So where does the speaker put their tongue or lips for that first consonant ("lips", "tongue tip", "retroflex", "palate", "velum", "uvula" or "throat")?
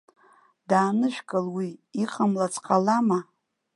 tongue tip